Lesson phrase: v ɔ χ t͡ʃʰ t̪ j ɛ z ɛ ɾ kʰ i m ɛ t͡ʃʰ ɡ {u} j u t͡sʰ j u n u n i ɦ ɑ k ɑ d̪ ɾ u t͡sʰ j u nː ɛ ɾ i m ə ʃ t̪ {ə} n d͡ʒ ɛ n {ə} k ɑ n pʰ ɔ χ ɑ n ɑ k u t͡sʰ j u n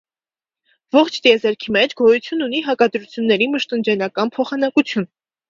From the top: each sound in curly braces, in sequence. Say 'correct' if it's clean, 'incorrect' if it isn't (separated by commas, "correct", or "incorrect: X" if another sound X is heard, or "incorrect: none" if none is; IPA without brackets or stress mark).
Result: incorrect: ɔ, correct, incorrect: ɑ